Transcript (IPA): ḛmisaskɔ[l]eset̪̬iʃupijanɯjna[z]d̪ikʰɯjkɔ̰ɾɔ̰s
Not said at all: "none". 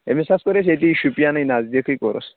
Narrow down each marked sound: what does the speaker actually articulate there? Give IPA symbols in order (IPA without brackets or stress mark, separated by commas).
ɾ, z